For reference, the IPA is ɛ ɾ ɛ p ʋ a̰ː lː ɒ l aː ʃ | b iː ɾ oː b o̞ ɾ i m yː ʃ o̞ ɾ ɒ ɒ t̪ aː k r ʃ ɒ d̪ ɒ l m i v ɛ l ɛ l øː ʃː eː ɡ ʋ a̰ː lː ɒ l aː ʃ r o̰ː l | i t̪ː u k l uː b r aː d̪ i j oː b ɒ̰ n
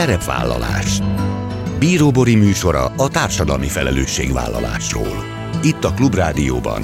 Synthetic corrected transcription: ɛ ɾ ɛ p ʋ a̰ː lː ɒ l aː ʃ | b iː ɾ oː b o̞ ɾ i m yː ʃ o̞ ɾ ɒ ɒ t̪ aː r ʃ ɒ d̪ ɒ l m i f ɛ l ɛ l øː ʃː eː ɡ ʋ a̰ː lː ɒ l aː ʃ r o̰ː l | i t̪ː ɒ k l u b r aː d̪ i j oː b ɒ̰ n